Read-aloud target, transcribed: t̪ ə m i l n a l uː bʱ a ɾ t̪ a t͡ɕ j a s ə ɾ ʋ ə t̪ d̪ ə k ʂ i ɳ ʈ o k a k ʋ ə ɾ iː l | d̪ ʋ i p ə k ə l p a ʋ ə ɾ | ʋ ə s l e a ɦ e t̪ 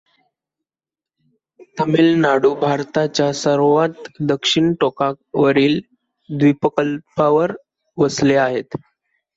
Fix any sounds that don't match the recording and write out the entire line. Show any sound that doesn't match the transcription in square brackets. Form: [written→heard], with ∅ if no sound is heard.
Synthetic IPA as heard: t̪ ə m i l n a [l→ɽ] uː bʱ a ɾ t̪ a t͡ɕ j a s ə ɾ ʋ [ə→a] t̪ d̪ ə k ʂ i ɳ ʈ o k a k ʋ ə ɾ iː l | d̪ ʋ i p ə k ə l p a ʋ ə ɾ | ʋ ə s l e a ɦ e t̪